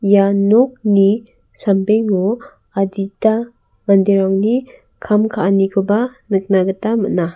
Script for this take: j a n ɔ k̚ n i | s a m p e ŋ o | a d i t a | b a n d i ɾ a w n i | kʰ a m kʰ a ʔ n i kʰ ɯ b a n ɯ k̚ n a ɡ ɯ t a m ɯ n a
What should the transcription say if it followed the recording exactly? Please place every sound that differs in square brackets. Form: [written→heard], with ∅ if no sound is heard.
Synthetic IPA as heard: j a n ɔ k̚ n i | s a m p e ŋ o | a d i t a | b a n d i ɾ a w n i | kʰ a m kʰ a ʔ n i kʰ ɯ b a n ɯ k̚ n a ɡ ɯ t a m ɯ n a